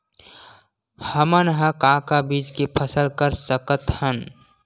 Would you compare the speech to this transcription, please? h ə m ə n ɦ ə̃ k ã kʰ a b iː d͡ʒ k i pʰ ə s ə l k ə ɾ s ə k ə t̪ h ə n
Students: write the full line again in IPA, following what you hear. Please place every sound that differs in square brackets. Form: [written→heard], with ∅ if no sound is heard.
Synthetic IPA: h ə m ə n ɦ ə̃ k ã [kʰ→k] a b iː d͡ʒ k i pʰ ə s ə l k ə ɾ s ə k ə t̪ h ə n

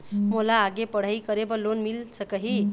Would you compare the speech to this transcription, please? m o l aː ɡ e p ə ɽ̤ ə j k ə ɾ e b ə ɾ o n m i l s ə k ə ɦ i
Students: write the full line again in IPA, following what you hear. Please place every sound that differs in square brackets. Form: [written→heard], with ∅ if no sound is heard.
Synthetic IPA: m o l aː ɡ e p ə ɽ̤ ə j k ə ɾ e b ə [ɾ→l] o n m i l s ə k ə ɦ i

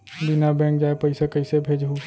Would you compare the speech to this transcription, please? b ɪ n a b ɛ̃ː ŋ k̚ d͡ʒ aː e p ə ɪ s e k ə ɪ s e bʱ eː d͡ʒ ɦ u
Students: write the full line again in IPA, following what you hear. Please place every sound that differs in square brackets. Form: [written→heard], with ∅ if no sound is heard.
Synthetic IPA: b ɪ n a b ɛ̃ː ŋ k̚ d͡ʒ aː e p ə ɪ s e k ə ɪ s e bʱ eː d͡ʒ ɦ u

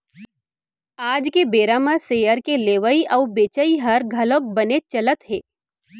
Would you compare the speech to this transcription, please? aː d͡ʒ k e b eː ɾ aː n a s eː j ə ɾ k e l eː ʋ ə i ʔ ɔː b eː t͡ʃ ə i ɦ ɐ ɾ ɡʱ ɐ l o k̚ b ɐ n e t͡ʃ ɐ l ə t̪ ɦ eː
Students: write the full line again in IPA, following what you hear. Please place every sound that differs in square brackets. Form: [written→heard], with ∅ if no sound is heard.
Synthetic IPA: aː d͡ʒ k e b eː ɾ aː [n→m] a s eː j ə ɾ k e l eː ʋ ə i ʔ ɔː b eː t͡ʃ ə i ɦ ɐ ɾ ɡʱ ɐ l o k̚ b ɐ n e t͡ʃ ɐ l ə t̪ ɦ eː

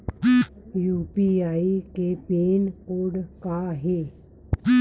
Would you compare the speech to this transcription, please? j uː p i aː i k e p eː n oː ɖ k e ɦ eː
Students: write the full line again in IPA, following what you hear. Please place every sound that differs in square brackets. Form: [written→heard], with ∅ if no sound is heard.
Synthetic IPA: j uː p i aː i k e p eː n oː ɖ k [e→a] ɦ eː

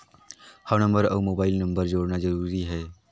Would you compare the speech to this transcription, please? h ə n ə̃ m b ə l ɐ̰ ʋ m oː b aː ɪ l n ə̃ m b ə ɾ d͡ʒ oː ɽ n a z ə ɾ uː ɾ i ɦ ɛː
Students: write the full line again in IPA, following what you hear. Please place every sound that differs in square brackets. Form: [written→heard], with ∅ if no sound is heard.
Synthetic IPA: h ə n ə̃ m b ə [l→ɾ] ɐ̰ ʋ m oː b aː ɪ l n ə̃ m b ə ɾ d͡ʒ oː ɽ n a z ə ɾ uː ɾ i ɦ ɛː

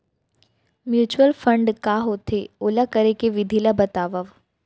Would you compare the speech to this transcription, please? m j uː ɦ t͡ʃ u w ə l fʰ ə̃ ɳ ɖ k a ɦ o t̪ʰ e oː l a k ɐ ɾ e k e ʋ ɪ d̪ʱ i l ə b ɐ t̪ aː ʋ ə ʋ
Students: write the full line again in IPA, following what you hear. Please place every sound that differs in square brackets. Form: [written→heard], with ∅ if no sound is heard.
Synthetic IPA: m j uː [ɦ→∅] t͡ʃ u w ə l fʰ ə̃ ɳ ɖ k a ɦ o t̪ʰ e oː l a k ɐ ɾ e k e ʋ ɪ d̪ʱ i l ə b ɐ t̪ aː ʋ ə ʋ

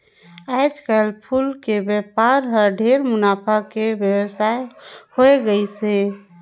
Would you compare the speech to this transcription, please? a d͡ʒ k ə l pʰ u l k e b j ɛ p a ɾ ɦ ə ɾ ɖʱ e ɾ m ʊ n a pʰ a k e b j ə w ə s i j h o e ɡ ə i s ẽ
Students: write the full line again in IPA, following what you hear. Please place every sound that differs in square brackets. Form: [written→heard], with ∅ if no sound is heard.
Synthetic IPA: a d͡ʒ k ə l pʰ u l k e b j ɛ p a ɾ ɦ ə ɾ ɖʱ e ɾ m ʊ n a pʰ a k e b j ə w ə s [i→a] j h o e ɡ ə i s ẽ

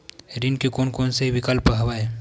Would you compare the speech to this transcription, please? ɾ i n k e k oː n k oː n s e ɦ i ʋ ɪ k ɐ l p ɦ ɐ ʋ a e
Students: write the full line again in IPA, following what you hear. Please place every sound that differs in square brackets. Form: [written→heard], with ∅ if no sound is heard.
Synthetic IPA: ɾ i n k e k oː n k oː n s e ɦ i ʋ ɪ k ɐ l p ɦ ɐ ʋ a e

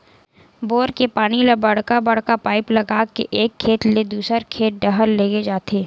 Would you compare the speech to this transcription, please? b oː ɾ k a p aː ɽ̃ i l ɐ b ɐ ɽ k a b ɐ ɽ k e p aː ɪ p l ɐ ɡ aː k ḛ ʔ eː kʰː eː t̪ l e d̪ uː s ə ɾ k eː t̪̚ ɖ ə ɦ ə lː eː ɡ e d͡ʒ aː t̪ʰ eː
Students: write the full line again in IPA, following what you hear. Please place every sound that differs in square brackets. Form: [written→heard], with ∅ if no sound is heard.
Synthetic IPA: b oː ɾ k [a→e] p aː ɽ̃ i l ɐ b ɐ ɽ k a b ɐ ɽ k [e→a] p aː ɪ p l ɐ ɡ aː k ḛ ʔ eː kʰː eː t̪ l e d̪ uː s ə ɾ [k→kʰ] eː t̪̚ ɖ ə ɦ ə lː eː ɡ e d͡ʒ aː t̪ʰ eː

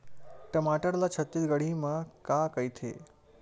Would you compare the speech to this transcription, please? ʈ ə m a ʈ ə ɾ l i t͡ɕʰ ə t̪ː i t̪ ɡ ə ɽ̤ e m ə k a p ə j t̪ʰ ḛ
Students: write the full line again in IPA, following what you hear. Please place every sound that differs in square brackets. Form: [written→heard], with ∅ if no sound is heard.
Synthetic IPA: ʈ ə m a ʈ ə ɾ l [i→a] t͡ɕʰ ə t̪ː i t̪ ɡ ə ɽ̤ [e→i] m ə k a [p→k] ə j t̪ʰ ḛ

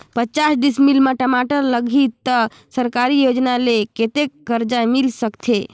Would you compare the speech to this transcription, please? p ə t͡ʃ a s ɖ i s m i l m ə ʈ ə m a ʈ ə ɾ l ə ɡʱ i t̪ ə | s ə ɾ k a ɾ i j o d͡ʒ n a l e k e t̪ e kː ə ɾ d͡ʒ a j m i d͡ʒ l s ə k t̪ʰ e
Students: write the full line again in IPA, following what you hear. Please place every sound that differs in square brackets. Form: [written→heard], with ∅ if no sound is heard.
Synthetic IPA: p ə t͡ʃ a s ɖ i s m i l m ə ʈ ə m a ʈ ə ɾ l ə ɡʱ i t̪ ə | s ə ɾ k a ɾ i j o d͡ʒ n a l e k e t̪ e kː ə ɾ d͡ʒ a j m i [d͡ʒ→∅] l s ə k t̪ʰ e

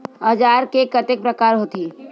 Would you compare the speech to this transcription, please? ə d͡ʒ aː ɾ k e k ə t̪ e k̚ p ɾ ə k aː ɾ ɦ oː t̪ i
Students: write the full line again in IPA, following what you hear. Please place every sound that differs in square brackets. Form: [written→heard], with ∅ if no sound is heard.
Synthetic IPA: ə d͡ʒ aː ɾ k e k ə t̪ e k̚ p ɾ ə k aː ɾ ɦ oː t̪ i

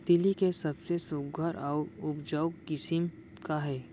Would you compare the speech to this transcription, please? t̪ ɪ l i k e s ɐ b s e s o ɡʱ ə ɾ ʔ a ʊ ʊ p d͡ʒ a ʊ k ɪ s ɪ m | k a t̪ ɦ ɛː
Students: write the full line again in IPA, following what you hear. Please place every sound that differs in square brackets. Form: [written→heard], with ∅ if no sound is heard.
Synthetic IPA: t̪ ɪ l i k e s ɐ b s e s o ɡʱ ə ɾ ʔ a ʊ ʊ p d͡ʒ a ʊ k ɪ s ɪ m | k a [t̪→∅] ɦ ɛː

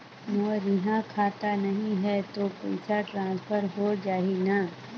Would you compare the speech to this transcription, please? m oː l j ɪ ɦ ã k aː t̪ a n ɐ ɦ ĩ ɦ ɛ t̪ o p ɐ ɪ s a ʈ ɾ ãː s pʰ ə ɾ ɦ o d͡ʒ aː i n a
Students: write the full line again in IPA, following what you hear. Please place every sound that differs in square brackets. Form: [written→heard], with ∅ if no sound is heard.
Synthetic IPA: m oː [l→ɾ] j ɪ ɦ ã [k→kʰ] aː t̪ a n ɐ ɦ ĩ ɦ ɛ t̪ o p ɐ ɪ s a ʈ ɾ ãː s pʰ ə ɾ ɦ o d͡ʒ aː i n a

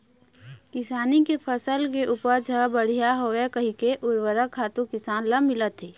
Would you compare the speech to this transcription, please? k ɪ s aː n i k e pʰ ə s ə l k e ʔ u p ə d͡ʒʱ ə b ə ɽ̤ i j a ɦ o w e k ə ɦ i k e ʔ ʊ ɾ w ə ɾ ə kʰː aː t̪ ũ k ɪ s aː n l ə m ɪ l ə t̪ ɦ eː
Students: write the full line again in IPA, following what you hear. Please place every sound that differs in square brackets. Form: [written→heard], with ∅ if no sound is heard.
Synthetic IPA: k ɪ s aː n i k e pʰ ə s ə l k e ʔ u p ə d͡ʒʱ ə b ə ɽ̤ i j a ɦ o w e k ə ɦ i k e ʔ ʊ ɾ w ə ɾ ə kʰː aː t̪ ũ k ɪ s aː n l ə m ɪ l ə t̪ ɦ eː

